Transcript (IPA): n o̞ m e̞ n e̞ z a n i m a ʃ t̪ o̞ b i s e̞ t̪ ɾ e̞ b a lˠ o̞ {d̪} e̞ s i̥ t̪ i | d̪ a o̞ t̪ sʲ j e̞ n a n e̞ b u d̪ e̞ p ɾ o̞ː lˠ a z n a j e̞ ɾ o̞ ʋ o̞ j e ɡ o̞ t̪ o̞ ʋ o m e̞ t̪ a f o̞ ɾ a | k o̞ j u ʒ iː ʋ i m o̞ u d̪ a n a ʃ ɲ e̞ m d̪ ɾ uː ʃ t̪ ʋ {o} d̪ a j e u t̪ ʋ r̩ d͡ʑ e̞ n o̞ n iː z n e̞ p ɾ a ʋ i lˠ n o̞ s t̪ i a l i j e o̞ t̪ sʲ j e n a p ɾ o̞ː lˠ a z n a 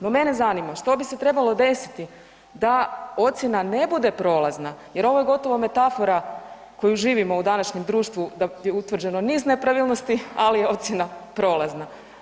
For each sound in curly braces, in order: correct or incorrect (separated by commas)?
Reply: correct, incorrect